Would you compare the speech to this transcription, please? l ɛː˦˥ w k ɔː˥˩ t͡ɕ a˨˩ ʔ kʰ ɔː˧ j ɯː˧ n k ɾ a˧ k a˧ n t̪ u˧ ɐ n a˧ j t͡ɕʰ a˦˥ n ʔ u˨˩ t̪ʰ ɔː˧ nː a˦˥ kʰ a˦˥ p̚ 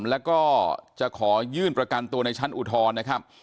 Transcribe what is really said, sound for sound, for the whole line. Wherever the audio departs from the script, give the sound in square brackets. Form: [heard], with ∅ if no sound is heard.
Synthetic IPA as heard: l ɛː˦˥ w k ɔː˥˩ t͡ɕ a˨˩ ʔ kʰ [ɔː˩˦] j [ɯː˥˩] n [p] ɾ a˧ k a˧ n t̪ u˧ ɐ n a˧ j t͡ɕʰ a˦˥ n ʔ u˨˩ t̪ʰ ɔː˧ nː a˦˥ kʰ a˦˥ p̚